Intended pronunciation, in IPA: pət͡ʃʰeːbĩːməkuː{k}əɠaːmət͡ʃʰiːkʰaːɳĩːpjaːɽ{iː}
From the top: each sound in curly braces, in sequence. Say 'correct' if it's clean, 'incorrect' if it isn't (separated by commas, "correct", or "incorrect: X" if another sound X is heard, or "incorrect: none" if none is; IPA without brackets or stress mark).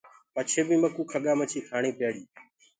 incorrect: kʰ, correct